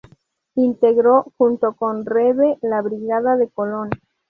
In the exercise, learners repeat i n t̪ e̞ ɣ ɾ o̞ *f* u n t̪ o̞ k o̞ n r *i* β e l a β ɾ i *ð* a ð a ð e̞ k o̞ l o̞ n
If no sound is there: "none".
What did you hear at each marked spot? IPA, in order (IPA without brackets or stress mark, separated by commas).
x, e, ɣ